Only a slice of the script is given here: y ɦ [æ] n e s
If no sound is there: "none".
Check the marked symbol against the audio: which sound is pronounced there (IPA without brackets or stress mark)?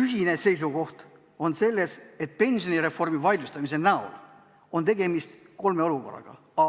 i